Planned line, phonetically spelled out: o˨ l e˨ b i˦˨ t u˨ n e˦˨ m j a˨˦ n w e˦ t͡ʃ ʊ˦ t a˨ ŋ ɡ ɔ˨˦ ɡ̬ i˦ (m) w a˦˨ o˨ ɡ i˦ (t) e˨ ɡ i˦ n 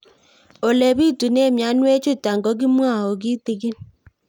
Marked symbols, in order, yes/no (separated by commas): yes, yes